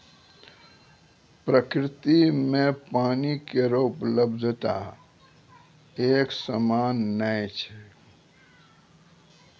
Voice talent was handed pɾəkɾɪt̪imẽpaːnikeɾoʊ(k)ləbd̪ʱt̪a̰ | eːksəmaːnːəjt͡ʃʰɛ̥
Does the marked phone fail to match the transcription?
yes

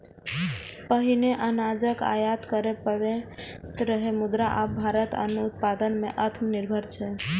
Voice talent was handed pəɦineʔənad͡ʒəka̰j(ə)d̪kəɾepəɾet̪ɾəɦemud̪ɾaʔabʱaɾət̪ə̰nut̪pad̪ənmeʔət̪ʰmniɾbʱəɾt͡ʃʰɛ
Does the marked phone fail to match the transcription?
yes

